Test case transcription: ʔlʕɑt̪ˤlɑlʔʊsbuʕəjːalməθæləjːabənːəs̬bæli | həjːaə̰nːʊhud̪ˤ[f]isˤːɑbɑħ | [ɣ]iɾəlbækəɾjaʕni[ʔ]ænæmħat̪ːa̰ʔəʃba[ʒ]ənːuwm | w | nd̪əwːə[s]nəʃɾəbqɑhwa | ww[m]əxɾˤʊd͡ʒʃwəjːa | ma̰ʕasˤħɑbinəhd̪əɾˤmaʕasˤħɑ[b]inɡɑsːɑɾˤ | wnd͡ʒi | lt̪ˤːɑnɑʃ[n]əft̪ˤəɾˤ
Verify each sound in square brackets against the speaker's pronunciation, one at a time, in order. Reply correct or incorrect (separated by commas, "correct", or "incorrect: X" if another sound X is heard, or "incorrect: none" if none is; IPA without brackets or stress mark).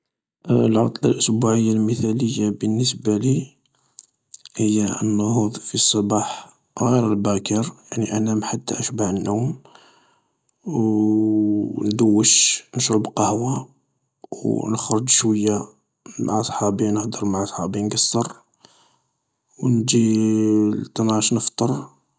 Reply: correct, correct, correct, incorrect: ʕ, incorrect: ʃ, incorrect: n, correct, correct